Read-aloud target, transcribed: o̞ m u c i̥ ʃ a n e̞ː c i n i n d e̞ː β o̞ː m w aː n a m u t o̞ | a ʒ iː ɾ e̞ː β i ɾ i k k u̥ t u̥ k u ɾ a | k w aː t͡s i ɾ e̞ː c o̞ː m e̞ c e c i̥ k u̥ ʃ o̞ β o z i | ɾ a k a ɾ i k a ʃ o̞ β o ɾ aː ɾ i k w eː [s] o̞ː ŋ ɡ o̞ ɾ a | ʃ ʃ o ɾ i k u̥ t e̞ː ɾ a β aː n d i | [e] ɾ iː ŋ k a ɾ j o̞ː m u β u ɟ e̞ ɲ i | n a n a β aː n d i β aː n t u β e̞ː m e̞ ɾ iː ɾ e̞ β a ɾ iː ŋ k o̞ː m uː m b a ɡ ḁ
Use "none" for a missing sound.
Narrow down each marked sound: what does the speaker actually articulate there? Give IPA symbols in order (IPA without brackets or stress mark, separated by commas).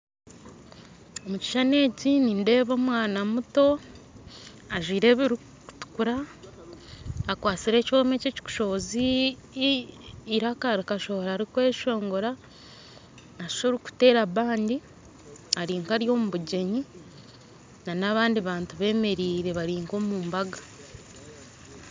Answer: ʃ, a